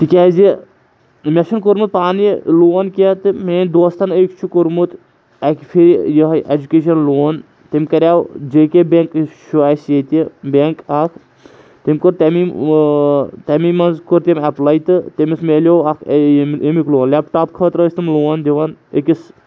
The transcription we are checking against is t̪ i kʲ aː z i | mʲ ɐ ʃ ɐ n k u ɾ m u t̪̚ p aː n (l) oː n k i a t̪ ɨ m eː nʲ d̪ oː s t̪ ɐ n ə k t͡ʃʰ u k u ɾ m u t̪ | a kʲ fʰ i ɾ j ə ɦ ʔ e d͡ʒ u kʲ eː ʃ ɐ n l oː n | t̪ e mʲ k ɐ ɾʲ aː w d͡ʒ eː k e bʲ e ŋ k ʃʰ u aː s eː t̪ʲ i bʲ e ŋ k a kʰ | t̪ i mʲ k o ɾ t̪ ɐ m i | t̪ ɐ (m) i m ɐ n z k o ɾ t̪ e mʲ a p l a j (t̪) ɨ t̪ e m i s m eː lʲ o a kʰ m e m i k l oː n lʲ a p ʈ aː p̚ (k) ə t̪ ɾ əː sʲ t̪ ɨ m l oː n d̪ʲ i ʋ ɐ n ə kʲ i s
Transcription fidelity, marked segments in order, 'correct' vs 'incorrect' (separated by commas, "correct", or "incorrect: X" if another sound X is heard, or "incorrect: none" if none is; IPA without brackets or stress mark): correct, correct, correct, incorrect: kʰ